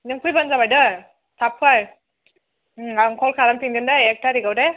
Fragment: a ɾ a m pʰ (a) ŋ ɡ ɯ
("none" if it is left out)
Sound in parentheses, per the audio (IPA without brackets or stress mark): i